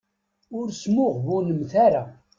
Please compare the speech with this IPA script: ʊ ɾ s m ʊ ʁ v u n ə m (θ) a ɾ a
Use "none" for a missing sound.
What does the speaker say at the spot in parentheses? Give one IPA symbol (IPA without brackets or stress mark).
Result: θ